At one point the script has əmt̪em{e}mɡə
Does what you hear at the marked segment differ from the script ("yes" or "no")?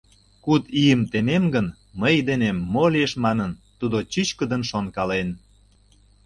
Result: no